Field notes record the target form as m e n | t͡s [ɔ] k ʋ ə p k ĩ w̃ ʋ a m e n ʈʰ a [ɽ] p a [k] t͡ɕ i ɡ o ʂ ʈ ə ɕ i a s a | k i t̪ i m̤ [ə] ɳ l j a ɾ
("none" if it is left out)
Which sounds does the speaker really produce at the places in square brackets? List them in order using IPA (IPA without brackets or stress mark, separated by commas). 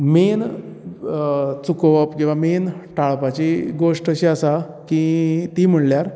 u, ɭ, none, ə